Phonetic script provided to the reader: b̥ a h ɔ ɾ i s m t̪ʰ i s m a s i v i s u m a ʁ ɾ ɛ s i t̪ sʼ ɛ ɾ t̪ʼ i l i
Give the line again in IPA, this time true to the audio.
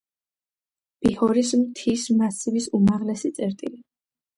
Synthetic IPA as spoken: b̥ i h ɔ ɾ i s m t̪ʰ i s m a s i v i s u m a ʁ l ɛ s i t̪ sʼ ɛ ɾ t̪ʼ i l i